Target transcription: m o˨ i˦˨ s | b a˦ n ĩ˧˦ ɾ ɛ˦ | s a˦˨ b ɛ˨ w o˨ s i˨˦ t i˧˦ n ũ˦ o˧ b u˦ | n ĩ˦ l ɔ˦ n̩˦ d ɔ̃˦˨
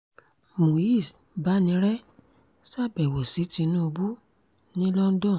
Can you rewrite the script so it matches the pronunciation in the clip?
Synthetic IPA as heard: m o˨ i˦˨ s | b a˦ n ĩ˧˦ ɾ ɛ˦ | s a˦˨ b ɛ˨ w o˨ s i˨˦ t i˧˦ n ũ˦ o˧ b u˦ | n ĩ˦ l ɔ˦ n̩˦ d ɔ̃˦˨

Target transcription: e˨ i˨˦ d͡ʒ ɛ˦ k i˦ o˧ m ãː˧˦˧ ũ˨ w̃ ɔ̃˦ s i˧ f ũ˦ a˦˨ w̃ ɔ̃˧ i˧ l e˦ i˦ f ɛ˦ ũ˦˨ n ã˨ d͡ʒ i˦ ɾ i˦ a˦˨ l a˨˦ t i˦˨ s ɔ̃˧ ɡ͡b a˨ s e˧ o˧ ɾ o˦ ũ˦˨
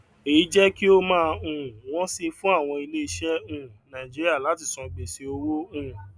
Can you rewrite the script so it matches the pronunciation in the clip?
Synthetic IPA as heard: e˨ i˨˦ d͡ʒ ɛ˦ k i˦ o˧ m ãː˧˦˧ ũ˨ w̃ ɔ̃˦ s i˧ f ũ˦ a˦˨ w̃ ɔ̃˧ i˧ l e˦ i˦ ʃ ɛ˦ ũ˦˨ n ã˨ d͡ʒ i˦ ɾ i˦ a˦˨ l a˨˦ t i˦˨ s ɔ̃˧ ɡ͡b e˨ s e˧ o˧ ɾ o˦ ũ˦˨

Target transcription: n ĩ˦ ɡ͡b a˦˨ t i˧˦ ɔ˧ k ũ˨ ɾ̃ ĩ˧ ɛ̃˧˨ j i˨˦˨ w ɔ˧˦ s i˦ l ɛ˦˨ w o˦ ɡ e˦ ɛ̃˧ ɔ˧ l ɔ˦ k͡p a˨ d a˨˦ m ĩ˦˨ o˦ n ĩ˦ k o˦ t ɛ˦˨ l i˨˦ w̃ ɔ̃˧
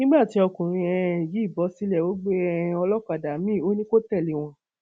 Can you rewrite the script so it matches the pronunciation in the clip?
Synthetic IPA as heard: n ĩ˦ ɡ͡b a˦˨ t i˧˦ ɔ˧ k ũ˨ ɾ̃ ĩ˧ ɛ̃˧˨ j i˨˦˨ b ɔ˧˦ s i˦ l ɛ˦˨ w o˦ ɡ͡b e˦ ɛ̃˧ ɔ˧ l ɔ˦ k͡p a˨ d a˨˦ m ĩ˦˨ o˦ n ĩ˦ k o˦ t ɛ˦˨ l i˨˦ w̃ ɔ̃˧

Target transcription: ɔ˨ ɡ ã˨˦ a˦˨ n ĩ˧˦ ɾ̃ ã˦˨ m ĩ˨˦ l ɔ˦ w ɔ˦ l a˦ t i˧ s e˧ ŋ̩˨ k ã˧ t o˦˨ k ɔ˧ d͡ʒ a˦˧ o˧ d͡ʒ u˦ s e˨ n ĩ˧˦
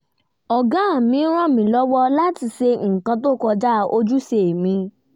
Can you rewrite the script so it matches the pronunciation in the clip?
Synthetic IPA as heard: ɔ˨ ɡ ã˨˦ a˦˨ m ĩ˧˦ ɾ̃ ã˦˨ m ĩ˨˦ l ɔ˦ w ɔ˦ l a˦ t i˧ s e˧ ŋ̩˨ k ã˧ t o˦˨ k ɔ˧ d͡ʒ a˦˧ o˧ d͡ʒ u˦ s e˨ m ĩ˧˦

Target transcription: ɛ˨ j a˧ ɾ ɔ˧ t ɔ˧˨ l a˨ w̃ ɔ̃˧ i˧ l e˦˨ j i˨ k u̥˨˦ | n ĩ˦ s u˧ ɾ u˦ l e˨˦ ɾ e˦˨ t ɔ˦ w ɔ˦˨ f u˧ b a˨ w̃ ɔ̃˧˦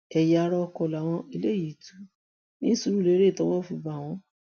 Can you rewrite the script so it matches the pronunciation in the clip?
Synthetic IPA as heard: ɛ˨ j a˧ ɾ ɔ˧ k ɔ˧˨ l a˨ w̃ ɔ̃˧ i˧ l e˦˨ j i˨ t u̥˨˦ | n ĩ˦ s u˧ ɾ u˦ l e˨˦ ɾ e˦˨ t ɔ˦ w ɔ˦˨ f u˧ b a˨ w̃ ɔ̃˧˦

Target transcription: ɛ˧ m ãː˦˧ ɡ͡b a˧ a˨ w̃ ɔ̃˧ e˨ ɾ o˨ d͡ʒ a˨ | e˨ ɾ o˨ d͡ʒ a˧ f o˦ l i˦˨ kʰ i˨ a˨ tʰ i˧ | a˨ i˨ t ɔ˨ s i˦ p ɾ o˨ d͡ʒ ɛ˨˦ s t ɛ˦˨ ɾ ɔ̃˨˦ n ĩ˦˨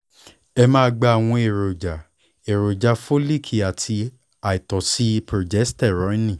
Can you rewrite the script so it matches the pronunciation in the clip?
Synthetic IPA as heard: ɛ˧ m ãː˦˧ ɡ͡b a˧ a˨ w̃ ɔ̃˧ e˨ ɾ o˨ d͡ʒ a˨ | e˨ ɾ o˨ d͡ʒ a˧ f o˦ l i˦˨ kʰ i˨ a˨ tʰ i˧ | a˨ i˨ t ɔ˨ s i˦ p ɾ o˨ d͡ʒ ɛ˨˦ s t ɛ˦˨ ɾ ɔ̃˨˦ n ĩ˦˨

